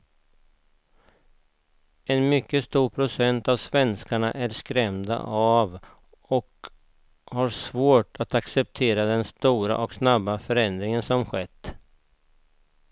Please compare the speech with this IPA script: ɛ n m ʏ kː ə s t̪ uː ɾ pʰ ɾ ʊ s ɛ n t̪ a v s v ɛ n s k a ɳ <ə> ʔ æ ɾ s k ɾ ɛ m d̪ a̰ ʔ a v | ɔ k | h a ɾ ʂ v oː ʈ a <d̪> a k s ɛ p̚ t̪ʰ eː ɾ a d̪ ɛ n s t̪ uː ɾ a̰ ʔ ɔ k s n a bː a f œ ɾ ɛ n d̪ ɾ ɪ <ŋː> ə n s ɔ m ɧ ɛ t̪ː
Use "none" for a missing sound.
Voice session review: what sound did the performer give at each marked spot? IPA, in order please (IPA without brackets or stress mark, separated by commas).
a, t̪, ŋ